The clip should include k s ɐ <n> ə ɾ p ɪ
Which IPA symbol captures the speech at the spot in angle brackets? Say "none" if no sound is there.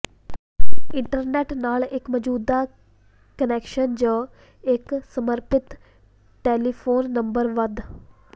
m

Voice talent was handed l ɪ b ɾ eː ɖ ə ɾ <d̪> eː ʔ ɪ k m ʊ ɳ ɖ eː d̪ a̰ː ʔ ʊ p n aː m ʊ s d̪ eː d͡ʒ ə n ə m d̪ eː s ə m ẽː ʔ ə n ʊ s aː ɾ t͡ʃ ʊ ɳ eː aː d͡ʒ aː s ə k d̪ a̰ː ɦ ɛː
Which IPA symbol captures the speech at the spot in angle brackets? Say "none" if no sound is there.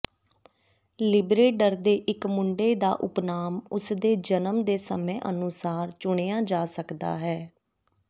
d̪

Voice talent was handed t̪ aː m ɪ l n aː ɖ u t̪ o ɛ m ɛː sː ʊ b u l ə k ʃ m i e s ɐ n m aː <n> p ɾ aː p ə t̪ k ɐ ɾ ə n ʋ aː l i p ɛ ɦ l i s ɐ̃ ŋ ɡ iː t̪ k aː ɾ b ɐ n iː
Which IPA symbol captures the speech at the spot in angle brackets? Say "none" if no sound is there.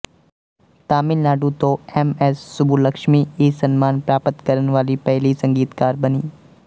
n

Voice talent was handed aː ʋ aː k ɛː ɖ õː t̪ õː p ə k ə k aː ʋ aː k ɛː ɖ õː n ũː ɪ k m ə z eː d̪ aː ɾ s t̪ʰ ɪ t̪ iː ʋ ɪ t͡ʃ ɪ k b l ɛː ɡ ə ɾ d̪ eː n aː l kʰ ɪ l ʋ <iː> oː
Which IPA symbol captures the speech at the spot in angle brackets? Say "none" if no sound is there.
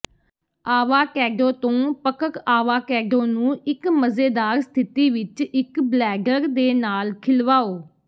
aː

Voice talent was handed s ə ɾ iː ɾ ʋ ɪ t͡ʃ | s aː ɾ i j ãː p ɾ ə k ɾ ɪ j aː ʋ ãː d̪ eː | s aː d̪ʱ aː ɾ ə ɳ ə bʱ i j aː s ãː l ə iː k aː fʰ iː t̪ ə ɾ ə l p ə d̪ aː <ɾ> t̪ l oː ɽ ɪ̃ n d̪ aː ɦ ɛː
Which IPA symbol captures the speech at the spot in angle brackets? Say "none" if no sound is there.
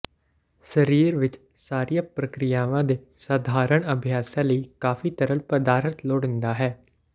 ɾ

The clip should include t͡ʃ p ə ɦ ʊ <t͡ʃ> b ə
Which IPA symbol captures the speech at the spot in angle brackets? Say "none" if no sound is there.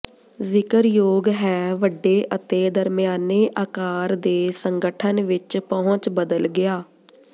t͡ʃ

